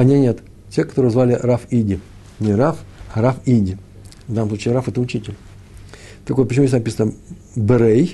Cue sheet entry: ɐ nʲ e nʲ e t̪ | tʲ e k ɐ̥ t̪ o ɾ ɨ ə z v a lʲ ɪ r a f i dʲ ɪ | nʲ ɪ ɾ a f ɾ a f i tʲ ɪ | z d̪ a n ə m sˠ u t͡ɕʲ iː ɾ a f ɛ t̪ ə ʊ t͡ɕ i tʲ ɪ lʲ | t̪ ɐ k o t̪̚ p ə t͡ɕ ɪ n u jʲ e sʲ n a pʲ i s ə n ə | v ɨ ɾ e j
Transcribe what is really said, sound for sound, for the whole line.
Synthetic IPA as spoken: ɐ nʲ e nʲ e t̪ | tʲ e k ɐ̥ t̪ o ɾ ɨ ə z v a lʲ ɪ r a f i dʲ ɪ | nʲ ɪ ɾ a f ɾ a f i dʲ ɪ | v d̪ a n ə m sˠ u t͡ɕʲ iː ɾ a f ɛ t̪ ə ʊ t͡ɕ i tʲ ɪ lʲ | t̪ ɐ k o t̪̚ p ə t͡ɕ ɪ m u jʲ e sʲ n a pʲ i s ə n ə | b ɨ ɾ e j